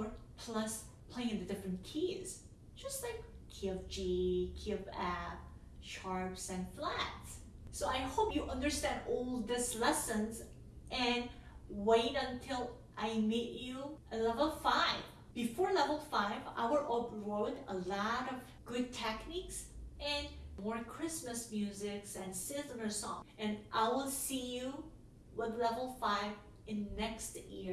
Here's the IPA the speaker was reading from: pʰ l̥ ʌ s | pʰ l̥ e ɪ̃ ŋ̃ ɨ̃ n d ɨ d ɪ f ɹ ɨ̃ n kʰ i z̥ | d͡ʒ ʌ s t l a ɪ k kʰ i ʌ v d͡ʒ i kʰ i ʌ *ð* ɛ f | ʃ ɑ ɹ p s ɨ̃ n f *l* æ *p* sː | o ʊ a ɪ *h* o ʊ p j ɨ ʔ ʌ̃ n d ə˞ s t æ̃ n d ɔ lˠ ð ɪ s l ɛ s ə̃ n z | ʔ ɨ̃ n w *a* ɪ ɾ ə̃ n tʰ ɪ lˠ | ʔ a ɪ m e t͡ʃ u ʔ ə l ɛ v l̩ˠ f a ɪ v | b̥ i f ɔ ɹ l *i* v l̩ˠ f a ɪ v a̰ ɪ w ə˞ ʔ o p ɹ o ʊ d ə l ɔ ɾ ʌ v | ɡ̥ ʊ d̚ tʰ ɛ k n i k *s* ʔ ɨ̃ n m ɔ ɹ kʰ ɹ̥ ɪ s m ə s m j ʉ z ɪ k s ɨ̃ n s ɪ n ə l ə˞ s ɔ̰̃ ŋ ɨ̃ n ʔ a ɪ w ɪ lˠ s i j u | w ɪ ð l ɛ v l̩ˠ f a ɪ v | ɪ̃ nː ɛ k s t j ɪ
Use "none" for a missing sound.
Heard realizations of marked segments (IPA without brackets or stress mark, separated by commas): v, l, t, h, e, ɛ, s